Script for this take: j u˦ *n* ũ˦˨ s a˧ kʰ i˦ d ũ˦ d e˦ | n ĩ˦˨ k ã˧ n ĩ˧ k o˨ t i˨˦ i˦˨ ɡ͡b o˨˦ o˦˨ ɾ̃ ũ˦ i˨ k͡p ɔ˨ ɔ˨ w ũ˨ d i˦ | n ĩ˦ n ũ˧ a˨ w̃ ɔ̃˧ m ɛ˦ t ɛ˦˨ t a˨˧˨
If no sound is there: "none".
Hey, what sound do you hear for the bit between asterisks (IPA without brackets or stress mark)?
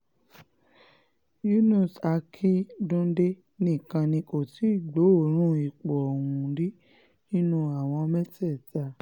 n